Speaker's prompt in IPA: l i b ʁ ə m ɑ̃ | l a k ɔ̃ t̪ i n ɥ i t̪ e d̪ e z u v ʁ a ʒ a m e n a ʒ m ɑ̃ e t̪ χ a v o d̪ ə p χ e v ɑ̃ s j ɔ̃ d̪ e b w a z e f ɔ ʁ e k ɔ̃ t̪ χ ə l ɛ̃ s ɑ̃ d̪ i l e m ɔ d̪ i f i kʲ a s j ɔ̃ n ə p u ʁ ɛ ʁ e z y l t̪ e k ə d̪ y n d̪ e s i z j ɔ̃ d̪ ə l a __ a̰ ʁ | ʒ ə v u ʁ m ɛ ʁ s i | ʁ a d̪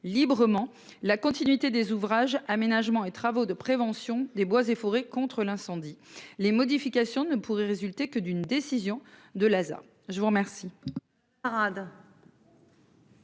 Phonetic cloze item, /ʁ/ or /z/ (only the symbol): z